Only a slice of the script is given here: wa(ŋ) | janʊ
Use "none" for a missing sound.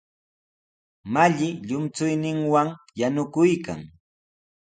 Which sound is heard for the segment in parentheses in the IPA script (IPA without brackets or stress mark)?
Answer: ŋ